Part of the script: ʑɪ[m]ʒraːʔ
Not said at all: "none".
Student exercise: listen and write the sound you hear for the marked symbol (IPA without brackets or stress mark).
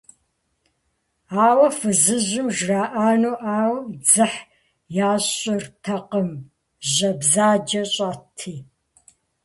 m